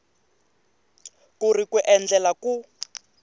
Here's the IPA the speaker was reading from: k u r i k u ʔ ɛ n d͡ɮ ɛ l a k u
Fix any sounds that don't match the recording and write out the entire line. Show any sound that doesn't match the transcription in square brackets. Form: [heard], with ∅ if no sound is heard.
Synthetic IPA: k u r i k u ʔ ɛ n d͡ɮ ɛ l a k u